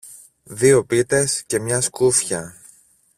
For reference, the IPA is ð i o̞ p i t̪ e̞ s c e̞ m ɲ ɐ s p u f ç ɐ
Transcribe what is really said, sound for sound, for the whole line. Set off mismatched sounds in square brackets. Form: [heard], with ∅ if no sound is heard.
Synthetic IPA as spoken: ð i o̞ p i t̪ e̞ s c e̞ m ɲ ɐ s [k] u f ç ɐ

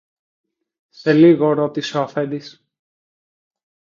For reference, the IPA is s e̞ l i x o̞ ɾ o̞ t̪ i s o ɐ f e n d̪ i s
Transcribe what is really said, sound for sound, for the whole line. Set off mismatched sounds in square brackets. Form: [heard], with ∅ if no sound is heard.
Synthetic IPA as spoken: s e̞ l i [ɣ] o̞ ɾ o̞ t̪ i s o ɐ f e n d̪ i s

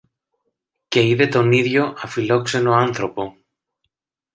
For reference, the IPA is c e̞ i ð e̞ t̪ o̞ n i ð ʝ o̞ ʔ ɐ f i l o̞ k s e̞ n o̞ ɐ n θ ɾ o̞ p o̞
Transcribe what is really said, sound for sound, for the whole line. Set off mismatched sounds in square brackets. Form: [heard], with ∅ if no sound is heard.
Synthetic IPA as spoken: c e̞ i ð e̞ t̪ o̞ n i ð ʝ o̞ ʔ ɐ f i l o̞ k s e̞ n o̞ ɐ n θ ɾ o̞ p o̞

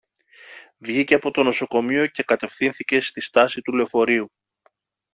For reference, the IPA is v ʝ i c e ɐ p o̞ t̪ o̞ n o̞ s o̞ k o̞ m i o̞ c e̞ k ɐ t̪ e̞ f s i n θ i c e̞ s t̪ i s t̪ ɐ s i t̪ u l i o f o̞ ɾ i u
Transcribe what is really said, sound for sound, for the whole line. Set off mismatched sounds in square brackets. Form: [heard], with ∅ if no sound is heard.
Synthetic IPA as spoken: v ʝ i c e ɐ p o̞ t̪ o̞ n o̞ s o̞ k o̞ m i o̞ c e̞ k ɐ t̪ e̞ f [θ] i n θ i c e̞ s t̪ i s t̪ ɐ s i t̪ u l [e] o f o̞ ɾ i u

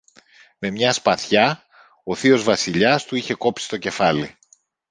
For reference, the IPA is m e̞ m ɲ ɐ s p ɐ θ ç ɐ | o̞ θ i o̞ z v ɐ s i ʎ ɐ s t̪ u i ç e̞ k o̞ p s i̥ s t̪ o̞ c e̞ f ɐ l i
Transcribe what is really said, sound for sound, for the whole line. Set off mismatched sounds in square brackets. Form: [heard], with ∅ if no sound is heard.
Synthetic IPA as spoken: m e̞ m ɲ ɐ s p ɐ θ ç ɐ | o̞ θ i o̞ z v ɐ s i ʎ ɐ s t̪ u i ç e̞ k o̞ p s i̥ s t̪ o̞ c e̞ f ɐ l i

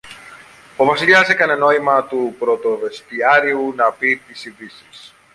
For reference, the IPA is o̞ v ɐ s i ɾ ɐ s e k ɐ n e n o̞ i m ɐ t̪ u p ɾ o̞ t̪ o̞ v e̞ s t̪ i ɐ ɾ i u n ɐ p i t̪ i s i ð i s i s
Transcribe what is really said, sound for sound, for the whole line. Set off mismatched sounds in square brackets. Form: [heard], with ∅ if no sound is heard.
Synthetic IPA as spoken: o̞ v ɐ s i [ʎ] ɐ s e k ɐ n e n o̞ i m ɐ t̪ u p ɾ o̞ t̪ o̞ v e̞ s t̪ i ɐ ɾ i u n ɐ p i t̪ i s i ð i s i s

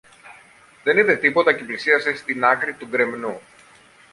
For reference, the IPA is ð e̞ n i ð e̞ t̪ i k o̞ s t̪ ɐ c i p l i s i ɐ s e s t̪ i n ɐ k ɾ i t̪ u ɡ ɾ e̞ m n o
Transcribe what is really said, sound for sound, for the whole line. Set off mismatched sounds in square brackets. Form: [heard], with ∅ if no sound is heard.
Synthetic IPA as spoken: ð e̞ n i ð e̞ t̪ i [p] o̞ [∅] t̪ ɐ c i p l i s i ɐ s e s t̪ i n ɐ k ɾ i t̪ u ɡ ɾ e̞ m n [u]

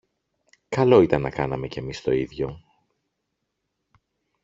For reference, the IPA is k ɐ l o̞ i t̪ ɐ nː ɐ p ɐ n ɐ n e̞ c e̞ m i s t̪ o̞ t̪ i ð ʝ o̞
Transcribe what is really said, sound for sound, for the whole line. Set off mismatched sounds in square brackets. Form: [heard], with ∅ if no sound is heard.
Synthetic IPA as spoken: k ɐ l o̞ i t̪ ɐ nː ɐ [k] ɐ n ɐ [m] e̞ c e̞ m i s t̪ o̞ [∅] i ð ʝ o̞

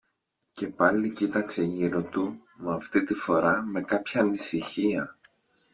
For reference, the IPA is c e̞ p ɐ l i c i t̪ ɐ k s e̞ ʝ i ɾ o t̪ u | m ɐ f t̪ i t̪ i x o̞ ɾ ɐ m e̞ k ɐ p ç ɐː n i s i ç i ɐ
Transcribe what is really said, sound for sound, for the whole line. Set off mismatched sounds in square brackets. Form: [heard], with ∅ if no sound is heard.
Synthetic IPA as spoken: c e̞ p ɐ l i c i t̪ ɐ k s e̞ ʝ i ɾ o t̪ u | m ɐ f t̪ i t̪ i [f] o̞ ɾ ɐ m e̞ k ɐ p ç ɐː n i s i ç i ɐ

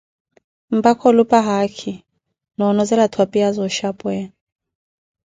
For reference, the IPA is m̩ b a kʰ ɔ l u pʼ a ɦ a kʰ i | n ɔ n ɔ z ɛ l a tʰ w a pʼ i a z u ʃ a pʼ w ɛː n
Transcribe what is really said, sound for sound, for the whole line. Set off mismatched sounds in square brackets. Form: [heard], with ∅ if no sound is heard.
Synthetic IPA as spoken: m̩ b a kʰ ɔ l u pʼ a ɦ a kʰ i | n ɔ n ɔ z ɛ l a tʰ w a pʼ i a z [ɔ] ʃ a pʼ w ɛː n

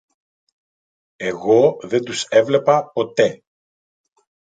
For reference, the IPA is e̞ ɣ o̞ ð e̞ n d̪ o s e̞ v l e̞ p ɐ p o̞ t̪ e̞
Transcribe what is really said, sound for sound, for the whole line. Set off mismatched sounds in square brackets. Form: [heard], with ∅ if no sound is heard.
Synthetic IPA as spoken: e̞ ɣ o̞ ð e̞ n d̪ [u] s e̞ v l e̞ p ɐ p o̞ t̪ e̞

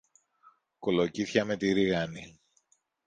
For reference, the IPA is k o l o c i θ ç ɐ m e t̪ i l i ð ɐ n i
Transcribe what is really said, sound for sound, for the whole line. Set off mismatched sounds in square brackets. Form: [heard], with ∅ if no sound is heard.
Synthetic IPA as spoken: k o l o c i θ ç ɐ m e t̪ i [ɾ] i [ɣ] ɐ n i

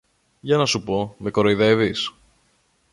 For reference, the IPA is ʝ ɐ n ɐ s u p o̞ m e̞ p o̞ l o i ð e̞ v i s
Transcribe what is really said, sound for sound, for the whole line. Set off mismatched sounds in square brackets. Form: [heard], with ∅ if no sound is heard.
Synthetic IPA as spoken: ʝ ɐ n ɐ s u p o̞ m e̞ [k] o̞ [ɾ] o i ð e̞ v i s

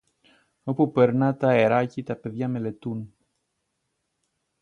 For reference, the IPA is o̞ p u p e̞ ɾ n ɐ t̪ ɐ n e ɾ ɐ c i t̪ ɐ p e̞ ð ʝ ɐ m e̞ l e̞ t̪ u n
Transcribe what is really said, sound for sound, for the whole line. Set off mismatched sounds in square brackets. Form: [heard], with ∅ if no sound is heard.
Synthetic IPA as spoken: o̞ p u p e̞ ɾ n ɐ t̪ ɐ [∅] e ɾ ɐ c i t̪ ɐ p e̞ ð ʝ ɐ m e̞ l e̞ t̪ u n

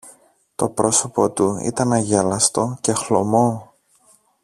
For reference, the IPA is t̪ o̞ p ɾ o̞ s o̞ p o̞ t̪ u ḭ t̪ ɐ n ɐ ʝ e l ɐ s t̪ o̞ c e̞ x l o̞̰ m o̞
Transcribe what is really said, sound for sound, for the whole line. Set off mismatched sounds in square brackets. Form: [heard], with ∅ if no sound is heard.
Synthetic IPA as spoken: t̪ o̞ p ɾ o̞ s o̞ p o̞ t̪ u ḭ t̪ ɐ n ɐ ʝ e l ɐ s t̪ o̞ c e̞ x l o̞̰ m o̞

